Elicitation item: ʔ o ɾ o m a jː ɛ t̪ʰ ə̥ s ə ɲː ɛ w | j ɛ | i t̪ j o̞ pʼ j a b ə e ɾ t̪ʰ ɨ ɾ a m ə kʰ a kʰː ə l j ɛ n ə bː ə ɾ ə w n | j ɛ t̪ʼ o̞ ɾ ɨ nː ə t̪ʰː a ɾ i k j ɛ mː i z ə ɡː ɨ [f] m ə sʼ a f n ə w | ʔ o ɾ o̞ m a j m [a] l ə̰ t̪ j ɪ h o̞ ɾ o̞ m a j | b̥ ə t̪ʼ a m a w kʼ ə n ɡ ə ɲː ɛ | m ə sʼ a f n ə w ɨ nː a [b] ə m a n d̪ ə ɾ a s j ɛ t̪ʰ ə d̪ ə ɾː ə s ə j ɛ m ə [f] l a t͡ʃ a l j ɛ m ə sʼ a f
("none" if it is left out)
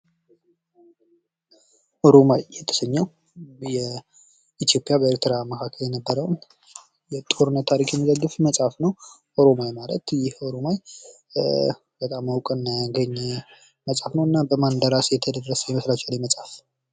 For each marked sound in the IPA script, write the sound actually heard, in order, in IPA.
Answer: f, a, b, s

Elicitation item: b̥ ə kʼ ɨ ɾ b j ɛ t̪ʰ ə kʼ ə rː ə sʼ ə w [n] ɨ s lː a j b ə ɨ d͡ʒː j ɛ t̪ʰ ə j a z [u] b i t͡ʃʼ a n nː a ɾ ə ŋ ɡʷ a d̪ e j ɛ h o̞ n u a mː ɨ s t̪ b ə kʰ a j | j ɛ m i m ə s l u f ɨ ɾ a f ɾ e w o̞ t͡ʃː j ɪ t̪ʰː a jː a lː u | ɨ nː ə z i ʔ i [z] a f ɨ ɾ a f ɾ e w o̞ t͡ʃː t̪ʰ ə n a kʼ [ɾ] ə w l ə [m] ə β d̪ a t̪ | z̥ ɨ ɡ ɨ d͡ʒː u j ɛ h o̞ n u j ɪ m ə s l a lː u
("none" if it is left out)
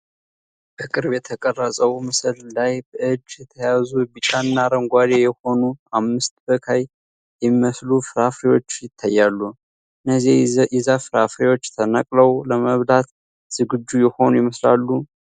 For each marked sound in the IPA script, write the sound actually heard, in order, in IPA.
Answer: m, u, z, l, m

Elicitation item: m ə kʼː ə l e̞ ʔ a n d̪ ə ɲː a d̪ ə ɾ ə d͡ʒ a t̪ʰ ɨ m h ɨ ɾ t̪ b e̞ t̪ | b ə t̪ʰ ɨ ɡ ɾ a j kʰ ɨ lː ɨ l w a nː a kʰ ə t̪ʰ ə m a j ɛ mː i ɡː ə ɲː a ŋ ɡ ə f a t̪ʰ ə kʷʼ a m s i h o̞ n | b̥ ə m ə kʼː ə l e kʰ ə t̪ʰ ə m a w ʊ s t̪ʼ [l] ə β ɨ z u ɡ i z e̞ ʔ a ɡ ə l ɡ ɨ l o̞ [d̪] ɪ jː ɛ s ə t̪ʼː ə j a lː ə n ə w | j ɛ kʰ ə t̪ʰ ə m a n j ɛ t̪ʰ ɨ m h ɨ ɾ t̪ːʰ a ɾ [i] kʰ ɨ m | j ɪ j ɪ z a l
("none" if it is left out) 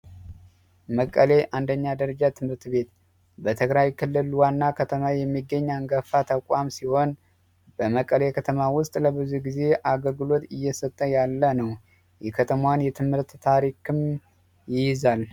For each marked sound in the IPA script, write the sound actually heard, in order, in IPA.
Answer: l, t̪, i

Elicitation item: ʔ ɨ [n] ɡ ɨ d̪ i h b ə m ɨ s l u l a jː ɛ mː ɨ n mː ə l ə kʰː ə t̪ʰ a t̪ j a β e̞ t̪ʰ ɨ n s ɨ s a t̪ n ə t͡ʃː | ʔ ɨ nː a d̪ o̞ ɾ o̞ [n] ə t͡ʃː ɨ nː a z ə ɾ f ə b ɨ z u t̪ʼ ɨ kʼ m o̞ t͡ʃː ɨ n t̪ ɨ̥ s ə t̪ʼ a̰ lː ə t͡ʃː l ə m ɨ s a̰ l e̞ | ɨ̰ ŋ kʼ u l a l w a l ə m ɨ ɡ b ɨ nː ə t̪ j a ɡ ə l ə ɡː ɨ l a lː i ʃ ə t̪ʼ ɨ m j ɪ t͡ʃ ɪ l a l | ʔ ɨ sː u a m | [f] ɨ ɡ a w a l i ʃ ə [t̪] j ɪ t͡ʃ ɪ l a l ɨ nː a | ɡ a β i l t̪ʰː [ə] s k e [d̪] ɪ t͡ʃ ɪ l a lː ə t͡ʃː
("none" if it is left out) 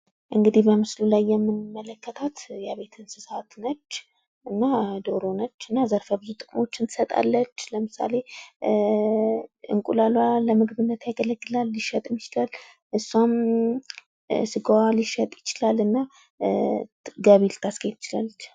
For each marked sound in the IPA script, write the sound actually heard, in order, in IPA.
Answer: ŋ, n, s, t̪ʼ, a, t̪

